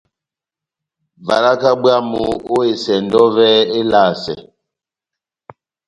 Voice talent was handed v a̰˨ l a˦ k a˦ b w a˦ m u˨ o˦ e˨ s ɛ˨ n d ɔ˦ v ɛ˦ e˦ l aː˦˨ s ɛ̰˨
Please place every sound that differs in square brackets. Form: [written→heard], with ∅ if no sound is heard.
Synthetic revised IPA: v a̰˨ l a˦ k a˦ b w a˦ m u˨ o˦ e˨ s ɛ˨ n d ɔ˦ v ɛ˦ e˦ l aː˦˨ s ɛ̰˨